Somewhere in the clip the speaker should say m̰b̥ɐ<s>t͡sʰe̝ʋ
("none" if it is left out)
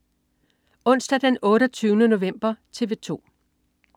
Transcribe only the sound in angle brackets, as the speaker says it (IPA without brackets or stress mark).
none